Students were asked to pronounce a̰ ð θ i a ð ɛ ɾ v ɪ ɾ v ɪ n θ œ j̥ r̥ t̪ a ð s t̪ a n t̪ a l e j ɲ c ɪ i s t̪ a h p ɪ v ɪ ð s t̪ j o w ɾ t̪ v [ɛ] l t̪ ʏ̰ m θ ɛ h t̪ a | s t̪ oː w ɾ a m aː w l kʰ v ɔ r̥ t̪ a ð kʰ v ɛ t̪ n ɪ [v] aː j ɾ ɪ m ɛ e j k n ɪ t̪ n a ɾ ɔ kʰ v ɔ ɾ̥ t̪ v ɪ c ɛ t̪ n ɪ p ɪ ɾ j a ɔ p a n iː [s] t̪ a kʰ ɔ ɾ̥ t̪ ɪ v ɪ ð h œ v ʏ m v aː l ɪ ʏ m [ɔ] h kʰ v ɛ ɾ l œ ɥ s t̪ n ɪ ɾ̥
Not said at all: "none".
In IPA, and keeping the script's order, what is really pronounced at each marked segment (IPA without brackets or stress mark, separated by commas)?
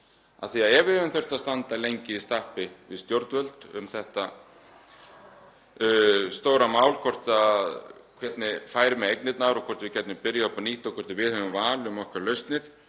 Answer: œ, f, h, ɔ